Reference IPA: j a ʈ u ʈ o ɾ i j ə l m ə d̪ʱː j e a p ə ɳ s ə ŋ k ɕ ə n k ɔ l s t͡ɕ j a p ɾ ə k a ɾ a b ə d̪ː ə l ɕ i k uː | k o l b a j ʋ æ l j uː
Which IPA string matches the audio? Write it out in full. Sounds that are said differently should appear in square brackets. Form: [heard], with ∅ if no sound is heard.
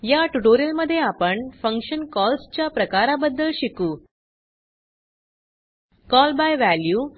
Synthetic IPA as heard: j a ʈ u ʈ o ɾ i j ə l m ə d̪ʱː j e a p ə ɳ [f] ə ŋ k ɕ ə n k ɔ l s t͡ɕ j a p ɾ ə k a ɾ a b ə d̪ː ə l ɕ i k uː | k [ɔ] l b a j ʋ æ l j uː